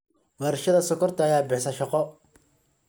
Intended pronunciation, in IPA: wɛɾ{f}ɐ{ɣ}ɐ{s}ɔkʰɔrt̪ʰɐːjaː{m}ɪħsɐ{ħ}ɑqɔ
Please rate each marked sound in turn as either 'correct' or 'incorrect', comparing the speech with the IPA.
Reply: incorrect: ʃ, incorrect: ð, correct, incorrect: b, incorrect: ʃ

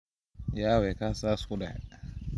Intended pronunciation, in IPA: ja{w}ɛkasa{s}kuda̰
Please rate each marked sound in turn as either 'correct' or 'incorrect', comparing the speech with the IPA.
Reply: correct, correct

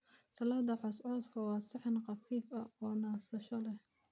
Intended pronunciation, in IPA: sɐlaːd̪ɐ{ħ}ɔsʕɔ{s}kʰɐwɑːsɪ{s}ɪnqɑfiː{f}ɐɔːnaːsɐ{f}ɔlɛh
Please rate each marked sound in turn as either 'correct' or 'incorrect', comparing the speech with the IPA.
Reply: correct, correct, incorrect: ħ, correct, incorrect: ʃ

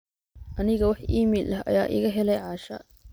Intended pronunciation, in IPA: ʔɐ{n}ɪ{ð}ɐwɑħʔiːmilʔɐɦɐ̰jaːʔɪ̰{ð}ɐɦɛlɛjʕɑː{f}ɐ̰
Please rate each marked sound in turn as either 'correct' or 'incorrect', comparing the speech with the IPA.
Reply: correct, incorrect: ɣ, incorrect: ɣ, incorrect: ʃ

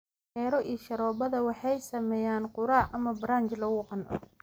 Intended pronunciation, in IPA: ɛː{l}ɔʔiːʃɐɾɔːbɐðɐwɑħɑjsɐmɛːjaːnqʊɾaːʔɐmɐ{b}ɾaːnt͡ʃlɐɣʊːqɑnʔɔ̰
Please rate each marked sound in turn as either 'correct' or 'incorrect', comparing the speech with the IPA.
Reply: incorrect: ɾ, correct

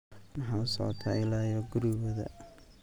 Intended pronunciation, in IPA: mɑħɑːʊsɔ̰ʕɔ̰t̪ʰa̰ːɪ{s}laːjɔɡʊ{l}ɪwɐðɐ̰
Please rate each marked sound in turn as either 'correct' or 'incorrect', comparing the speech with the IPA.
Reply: incorrect: none, incorrect: ɾ

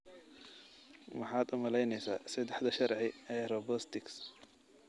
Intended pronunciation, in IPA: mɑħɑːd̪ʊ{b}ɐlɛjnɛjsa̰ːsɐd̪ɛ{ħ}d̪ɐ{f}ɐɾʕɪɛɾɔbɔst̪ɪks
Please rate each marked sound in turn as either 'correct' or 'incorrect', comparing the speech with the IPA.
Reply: incorrect: m, correct, incorrect: ʃ

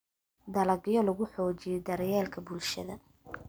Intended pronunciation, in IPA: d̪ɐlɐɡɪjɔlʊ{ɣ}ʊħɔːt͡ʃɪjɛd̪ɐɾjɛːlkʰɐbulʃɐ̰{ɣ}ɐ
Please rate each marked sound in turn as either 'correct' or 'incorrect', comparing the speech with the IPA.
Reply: correct, incorrect: ð

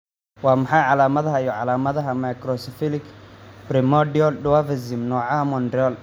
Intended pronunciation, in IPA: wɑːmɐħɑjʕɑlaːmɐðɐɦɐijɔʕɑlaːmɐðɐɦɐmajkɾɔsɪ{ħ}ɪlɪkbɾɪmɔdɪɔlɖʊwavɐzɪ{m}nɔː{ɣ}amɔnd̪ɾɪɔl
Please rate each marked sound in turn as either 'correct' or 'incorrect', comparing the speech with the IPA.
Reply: incorrect: f, correct, incorrect: ʕ

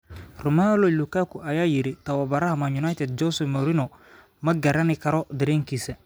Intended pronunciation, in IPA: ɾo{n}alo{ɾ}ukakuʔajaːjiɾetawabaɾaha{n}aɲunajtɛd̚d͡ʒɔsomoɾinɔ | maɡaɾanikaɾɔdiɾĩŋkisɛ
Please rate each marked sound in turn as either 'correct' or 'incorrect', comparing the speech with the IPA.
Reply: incorrect: m, incorrect: l, incorrect: m

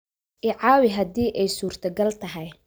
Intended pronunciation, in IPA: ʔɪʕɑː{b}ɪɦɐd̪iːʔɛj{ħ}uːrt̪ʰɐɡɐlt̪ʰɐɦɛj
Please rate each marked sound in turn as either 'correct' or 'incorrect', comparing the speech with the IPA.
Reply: incorrect: w, incorrect: s

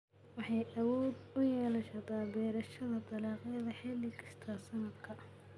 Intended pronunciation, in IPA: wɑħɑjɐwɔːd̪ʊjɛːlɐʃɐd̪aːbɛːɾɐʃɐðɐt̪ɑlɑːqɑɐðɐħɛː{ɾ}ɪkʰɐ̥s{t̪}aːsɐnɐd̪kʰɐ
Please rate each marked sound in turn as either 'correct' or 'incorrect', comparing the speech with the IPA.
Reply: incorrect: l, incorrect: t̪ʰ

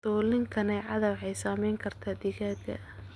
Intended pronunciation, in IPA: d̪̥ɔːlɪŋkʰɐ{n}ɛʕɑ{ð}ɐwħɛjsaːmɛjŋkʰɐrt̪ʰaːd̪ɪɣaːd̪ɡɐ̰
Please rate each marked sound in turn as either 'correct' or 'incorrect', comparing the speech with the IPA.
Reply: correct, correct

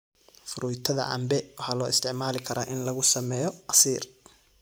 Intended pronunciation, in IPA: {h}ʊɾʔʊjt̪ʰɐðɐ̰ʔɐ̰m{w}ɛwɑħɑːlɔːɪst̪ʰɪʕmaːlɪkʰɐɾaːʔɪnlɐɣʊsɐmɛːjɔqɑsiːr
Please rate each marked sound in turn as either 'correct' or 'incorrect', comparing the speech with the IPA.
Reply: incorrect: f, incorrect: b

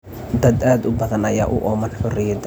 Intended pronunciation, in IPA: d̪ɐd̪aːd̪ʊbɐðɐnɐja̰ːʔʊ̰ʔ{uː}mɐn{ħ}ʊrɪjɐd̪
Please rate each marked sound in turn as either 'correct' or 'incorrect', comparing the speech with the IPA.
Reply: incorrect: ɔː, correct

